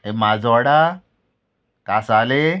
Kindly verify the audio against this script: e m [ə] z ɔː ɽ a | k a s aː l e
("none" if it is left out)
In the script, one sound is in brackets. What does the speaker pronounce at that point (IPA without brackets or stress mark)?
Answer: a